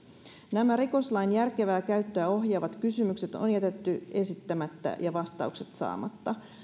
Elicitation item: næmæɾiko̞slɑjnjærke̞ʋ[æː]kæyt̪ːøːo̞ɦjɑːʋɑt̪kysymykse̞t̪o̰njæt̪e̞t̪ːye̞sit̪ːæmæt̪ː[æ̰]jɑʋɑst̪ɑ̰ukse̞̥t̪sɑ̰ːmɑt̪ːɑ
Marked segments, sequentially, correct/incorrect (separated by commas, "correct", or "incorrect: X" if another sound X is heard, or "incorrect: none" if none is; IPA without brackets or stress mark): correct, correct